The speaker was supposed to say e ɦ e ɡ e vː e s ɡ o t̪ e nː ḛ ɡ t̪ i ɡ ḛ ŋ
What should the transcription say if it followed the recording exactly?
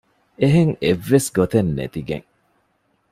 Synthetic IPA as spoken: e ɦ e ŋ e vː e s ɡ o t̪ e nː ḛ t̪ i ɡ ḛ ŋ